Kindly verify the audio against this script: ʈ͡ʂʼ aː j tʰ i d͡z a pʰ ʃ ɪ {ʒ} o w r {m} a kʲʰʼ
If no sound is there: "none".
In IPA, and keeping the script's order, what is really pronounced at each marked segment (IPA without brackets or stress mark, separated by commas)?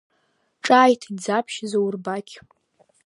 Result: z, b